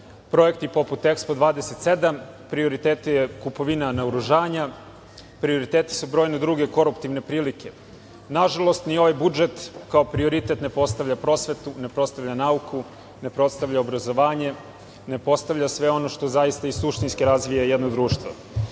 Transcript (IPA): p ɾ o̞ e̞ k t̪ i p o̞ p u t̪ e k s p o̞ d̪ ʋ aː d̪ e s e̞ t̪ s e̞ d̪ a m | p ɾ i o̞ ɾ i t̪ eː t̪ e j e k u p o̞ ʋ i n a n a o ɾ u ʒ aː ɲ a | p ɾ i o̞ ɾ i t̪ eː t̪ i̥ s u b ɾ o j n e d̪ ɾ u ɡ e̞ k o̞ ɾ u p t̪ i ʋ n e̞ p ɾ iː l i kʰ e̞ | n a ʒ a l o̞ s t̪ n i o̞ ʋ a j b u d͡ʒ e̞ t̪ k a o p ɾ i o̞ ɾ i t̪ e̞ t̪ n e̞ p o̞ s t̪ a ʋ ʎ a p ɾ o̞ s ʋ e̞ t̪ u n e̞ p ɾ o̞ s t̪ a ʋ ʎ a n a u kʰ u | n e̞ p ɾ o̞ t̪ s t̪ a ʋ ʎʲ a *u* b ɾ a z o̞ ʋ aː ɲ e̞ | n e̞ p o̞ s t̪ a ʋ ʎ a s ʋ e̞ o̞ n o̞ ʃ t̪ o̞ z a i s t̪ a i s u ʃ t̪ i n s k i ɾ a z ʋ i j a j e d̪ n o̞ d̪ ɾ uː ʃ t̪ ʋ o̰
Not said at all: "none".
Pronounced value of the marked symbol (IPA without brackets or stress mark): o